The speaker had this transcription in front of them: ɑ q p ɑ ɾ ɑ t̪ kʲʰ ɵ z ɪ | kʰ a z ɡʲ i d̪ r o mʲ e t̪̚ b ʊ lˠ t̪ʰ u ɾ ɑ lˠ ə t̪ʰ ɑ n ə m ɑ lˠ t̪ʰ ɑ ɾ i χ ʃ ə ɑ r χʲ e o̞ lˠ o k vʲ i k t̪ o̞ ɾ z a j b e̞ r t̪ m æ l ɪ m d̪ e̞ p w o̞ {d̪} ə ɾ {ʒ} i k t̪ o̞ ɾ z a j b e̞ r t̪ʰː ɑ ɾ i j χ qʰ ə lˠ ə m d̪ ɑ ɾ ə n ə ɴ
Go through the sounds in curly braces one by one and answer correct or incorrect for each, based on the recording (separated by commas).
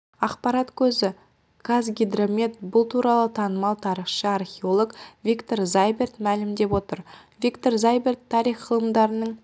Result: incorrect, incorrect